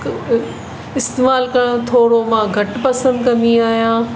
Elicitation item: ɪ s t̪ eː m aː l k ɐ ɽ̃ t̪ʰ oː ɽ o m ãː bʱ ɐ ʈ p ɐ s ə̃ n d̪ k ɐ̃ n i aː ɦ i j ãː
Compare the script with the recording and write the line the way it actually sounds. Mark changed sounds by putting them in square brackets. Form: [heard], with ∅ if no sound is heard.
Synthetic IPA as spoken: ɪ s t̪ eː m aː l k ɐ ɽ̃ t̪ʰ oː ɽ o m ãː [ɡʱ] ɐ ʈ p ɐ s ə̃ n d̪ k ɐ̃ n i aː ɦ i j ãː